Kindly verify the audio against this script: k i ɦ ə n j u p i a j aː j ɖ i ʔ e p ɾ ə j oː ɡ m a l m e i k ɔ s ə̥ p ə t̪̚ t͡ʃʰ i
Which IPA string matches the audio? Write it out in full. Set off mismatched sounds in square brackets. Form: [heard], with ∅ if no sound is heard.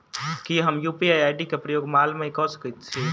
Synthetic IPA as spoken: k i ɦ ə [m] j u p i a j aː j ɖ i [k] e p ɾ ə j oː ɡ m a l m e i k ɔ s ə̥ [k] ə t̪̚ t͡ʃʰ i